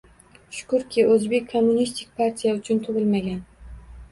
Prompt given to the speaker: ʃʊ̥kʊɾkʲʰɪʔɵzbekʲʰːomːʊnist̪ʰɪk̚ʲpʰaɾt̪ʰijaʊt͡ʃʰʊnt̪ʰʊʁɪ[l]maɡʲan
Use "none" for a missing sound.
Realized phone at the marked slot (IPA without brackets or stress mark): l